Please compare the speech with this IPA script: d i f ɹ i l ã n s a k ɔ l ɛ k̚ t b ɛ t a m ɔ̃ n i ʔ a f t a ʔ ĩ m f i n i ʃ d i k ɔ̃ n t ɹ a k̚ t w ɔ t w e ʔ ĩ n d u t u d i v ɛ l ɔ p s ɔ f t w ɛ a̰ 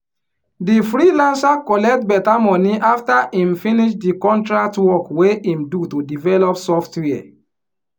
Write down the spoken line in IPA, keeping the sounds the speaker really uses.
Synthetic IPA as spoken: d i f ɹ i l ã n s a k ɔ l ɛ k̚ t b ɛ t a m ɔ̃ n i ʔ a f t a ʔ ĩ m f i n i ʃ d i k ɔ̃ n t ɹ a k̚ t w ɔ k w e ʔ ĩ m d u t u d i v ɛ l ɔ p s ɔ f t w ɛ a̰

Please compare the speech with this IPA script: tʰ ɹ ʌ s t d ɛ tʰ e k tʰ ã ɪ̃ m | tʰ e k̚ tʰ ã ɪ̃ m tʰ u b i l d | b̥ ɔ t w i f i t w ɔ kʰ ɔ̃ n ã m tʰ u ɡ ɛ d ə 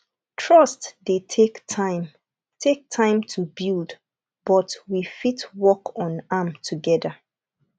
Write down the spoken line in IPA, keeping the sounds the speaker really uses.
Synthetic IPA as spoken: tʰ ɹ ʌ s t d e tʰ e k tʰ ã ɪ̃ m | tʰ e k̚ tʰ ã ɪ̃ m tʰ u b i l d | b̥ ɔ t w i f i t w ɔ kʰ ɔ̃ n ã m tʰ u ɡ ɛ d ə

